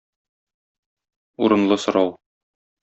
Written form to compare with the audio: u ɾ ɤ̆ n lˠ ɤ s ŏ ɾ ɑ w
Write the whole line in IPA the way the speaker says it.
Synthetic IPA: u ɾ ɤ̆ n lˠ ɤ s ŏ ɾ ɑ w